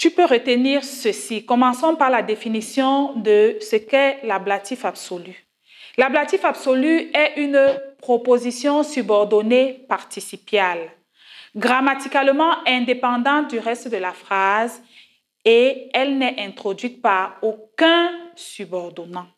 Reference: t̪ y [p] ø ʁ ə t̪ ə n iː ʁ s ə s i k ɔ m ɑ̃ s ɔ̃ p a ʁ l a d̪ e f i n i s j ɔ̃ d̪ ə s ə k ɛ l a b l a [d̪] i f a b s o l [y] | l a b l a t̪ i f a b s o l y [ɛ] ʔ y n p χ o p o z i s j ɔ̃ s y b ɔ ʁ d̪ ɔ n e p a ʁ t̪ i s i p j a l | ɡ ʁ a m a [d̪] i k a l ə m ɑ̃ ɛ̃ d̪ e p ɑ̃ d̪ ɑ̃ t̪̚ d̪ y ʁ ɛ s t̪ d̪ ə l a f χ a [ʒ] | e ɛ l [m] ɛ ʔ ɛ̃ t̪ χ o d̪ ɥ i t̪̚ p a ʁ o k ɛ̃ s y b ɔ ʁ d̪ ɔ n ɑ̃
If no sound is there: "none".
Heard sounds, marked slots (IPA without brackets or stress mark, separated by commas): p, t̪, y, ɛ, t̪, z, n